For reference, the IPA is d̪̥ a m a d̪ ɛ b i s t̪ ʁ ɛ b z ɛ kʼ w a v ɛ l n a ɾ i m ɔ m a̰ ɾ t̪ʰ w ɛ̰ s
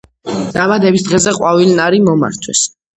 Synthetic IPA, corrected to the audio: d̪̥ a m a d̪ ɛ b i s d̪ ʁ ɛ z ɛ qʼ w a v i l n a ɾ i m ɔ m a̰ ɾ t̪ʰ w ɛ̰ s